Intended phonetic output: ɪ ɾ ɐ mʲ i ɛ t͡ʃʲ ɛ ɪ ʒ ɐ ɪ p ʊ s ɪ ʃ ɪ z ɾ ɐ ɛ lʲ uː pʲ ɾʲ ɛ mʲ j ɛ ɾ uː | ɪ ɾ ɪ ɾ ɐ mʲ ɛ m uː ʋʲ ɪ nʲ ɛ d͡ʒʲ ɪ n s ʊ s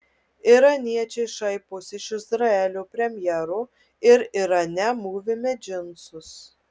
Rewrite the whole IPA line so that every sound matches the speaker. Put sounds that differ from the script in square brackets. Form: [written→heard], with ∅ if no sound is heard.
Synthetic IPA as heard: ɪ ɾ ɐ [mʲ→nʲ] i ɛ t͡ʃʲ ɛ ɪ [ʒ→ʃ] ɐ ɪ p ʊ s ɪ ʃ ɪ z ɾ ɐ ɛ lʲ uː pʲ ɾʲ ɛ mʲ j ɛ ɾ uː | ɪ ɾ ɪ ɾ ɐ [mʲ→nʲ] ɛ m uː ʋʲ ɪ [nʲ→mʲ] ɛ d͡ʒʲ ɪ n s ʊ s